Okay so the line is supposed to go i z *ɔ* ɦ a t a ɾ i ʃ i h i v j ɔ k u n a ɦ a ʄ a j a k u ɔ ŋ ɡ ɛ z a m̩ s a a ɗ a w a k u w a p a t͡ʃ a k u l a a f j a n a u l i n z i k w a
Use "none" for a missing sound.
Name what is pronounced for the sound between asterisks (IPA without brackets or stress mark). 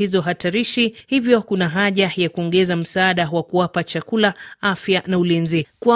ɔ